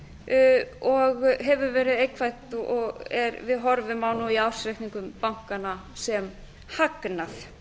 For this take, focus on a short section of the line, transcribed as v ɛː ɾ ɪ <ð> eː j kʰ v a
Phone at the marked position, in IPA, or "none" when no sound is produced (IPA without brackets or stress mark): ð